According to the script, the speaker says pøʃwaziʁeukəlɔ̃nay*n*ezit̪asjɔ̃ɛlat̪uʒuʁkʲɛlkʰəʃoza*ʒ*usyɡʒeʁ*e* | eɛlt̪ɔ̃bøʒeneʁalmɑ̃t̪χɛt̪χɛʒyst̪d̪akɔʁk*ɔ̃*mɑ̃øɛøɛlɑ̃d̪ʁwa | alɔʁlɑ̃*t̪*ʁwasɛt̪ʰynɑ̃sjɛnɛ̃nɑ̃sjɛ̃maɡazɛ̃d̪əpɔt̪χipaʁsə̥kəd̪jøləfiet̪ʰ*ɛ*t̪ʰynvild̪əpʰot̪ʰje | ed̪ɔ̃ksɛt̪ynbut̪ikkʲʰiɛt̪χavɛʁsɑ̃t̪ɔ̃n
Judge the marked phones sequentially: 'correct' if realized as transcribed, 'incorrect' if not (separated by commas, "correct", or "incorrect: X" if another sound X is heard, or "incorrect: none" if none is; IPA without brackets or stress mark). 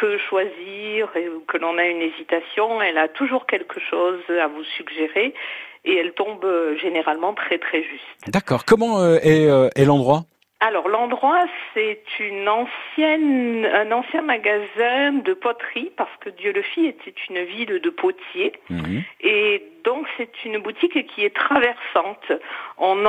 correct, incorrect: v, correct, incorrect: ɔ, incorrect: d̪, correct